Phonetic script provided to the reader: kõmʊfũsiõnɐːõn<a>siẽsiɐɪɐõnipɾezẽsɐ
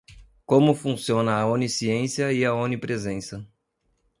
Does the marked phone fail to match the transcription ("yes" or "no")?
yes